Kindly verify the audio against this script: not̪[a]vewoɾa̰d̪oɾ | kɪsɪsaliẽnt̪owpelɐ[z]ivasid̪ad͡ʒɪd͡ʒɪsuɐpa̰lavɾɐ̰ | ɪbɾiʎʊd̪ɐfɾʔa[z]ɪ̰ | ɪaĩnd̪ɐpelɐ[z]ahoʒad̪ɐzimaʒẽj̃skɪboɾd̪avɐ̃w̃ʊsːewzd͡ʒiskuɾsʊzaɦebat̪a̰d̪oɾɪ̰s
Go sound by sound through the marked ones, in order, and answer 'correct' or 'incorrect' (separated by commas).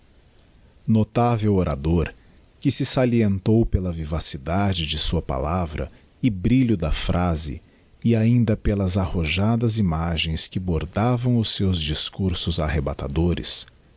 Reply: correct, incorrect, correct, correct